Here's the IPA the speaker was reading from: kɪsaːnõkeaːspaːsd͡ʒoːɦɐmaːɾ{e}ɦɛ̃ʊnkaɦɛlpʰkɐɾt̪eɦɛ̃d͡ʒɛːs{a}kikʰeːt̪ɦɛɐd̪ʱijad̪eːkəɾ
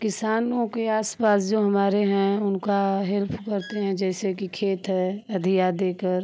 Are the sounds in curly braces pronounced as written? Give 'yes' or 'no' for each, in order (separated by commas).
yes, no